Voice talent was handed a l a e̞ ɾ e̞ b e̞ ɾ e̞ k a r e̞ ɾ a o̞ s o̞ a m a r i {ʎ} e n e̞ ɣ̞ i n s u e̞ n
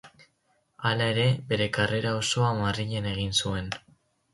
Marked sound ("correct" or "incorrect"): correct